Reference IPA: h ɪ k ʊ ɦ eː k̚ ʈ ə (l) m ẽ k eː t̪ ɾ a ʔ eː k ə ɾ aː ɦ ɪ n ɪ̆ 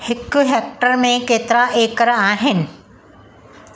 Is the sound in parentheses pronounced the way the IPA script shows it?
no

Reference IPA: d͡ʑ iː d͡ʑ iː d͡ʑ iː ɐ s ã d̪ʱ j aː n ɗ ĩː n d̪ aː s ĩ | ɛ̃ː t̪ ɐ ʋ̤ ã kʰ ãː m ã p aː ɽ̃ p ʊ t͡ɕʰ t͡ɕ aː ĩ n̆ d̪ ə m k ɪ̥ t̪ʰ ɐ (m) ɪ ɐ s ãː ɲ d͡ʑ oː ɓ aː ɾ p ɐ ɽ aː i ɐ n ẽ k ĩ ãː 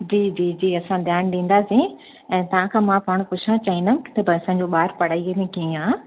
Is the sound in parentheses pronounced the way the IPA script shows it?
no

